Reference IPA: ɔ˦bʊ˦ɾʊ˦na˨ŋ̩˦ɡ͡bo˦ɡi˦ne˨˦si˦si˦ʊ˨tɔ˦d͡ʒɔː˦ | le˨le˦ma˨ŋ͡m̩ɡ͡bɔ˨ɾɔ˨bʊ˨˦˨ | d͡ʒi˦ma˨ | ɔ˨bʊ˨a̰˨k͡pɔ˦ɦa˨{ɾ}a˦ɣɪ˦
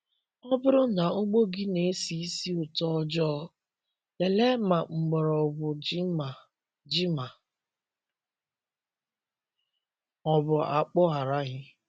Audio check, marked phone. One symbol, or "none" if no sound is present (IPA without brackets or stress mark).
ɾ